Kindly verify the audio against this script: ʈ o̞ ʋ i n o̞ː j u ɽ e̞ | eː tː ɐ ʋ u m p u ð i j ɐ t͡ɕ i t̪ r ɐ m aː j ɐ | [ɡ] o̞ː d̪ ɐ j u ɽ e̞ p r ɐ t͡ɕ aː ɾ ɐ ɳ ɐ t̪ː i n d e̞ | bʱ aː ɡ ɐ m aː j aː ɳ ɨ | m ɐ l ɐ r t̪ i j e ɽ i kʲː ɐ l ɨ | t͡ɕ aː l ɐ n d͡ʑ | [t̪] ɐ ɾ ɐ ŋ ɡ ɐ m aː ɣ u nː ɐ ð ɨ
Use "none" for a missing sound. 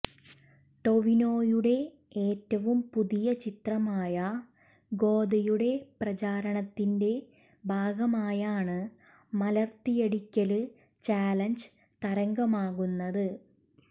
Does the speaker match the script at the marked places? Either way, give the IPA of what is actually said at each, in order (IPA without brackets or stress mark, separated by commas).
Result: ɡ, t̪